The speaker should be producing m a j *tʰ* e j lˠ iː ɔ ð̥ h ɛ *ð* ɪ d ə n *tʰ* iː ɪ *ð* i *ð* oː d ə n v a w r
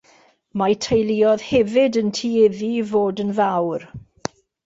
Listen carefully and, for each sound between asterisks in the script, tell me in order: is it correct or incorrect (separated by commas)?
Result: correct, incorrect, correct, correct, incorrect